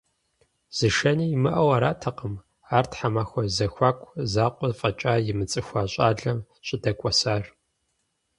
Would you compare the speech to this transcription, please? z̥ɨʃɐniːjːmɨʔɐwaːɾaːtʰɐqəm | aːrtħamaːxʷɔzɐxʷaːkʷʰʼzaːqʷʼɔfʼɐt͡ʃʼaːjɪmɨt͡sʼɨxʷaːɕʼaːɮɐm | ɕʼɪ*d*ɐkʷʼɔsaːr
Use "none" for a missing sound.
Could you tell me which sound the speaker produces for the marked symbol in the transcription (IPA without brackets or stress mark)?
d